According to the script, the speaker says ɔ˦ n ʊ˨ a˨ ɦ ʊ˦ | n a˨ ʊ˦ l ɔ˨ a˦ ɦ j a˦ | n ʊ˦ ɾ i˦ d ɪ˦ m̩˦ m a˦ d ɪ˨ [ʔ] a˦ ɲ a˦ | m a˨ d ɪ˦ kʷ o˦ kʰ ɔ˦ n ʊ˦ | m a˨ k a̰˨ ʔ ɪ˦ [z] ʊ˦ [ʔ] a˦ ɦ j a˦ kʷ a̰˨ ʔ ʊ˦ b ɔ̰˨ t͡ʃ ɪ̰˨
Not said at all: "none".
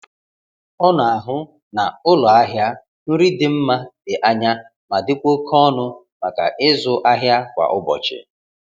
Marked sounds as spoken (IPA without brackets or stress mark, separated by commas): ʔ, z, ʔ